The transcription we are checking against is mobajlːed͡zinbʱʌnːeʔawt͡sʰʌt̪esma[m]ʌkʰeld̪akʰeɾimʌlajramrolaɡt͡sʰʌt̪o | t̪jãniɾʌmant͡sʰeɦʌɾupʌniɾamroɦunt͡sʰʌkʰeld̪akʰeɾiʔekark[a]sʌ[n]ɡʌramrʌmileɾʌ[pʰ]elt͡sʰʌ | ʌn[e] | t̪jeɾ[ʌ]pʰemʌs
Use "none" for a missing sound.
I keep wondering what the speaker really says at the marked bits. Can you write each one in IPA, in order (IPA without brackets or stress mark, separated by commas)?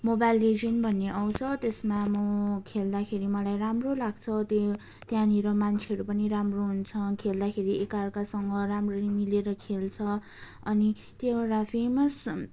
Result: m, a, ŋ, kʰ, i, a